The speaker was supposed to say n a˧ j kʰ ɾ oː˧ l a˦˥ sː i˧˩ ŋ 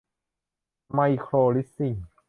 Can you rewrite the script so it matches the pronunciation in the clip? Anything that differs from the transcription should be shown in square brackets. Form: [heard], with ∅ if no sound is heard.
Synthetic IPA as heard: [m] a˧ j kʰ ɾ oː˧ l [i˦˥] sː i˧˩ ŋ